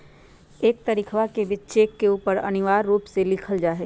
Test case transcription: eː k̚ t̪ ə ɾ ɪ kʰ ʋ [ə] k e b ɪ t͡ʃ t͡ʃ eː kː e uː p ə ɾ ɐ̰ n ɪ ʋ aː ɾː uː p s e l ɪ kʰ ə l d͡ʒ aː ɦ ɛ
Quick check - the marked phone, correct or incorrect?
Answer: incorrect: a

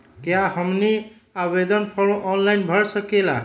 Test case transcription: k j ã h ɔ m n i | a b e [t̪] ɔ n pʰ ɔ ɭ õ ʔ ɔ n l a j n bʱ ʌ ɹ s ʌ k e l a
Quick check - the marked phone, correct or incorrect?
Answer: incorrect: d̪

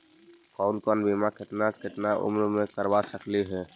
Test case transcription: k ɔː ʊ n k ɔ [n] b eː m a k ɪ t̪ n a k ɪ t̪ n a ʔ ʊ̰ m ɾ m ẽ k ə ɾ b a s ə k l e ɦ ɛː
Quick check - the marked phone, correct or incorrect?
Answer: correct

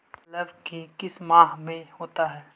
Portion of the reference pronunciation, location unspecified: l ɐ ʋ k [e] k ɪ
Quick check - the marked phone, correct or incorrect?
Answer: incorrect: i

